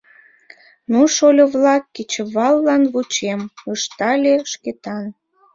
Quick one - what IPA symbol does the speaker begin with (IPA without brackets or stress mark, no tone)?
n